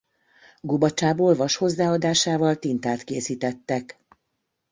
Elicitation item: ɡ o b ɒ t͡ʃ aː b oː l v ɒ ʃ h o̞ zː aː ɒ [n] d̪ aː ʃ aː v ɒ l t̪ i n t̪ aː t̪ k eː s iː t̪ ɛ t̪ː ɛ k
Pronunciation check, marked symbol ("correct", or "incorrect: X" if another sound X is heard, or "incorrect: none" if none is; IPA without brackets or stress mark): incorrect: none